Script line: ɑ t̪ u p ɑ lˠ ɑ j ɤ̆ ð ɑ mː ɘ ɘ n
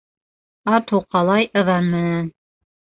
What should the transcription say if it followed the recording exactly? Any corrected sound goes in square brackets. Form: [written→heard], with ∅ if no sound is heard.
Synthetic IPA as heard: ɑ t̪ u [p→q] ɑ lˠ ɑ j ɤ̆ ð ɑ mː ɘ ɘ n